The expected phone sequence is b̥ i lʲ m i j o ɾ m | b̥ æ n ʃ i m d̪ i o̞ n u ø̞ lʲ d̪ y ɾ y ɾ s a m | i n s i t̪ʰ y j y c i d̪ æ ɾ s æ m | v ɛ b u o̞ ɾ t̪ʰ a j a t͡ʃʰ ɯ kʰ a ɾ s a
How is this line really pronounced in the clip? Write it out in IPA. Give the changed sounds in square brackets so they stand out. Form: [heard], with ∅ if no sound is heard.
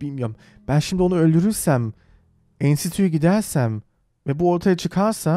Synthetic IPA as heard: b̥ i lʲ m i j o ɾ m | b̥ æ n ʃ i m d̪ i o̞ n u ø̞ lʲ d̪ y ɾ y ɾ s [æ] m | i n s i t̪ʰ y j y [ɟ] i d̪ æ ɾ s æ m | v ɛ b u o̞ ɾ t̪ʰ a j a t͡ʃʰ ɯ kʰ a ɾ s a

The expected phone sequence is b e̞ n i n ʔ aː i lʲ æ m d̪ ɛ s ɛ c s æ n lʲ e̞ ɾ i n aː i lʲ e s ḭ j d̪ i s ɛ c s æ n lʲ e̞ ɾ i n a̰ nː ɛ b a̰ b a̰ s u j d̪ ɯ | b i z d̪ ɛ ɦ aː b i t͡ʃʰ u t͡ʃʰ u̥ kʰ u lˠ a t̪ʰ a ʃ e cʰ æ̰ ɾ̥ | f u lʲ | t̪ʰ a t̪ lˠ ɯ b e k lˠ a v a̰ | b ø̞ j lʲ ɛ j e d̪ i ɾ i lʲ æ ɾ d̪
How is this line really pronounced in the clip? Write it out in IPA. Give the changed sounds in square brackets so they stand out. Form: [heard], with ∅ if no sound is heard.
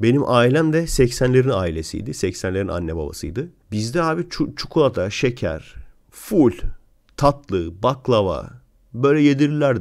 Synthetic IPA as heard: b e̞ n i [m] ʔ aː i lʲ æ m d̪ ɛ s ɛ c s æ n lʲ e̞ ɾ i n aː i lʲ e s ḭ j d̪ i s ɛ c s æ n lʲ e̞ ɾ i n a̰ nː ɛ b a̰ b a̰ s [ɯ] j d̪ ɯ | b i z d̪ ɛ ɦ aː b i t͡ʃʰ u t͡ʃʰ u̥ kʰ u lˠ a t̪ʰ a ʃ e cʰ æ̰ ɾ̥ | f u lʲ | t̪ʰ a t̪ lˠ ɯ b [a] k lˠ a v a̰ | b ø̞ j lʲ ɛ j e d̪ i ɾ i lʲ æ ɾ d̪

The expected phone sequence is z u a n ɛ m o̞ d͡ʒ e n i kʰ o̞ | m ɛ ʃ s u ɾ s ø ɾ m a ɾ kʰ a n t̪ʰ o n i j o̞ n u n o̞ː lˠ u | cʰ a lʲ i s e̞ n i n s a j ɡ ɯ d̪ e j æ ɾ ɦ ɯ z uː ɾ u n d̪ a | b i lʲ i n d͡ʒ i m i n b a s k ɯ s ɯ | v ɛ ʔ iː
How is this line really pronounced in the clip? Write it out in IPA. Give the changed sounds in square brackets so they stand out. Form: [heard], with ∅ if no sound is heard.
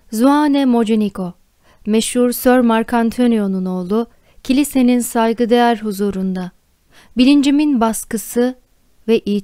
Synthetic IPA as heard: z u a n ɛ m o̞ d͡ʒ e n i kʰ o̞ | m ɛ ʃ [h] u ɾ s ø ɾ m a ɾ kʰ a n t̪ʰ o n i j o̞ n u n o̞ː lˠ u | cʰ [i] lʲ i s e̞ n i n s a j ɡ ɯ d̪ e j æ ɾ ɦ [u] z uː ɾ u n d̪ a | b i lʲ i n d͡ʒ i m i n b a s k ɯ s ɯ | v ɛ ʔ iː

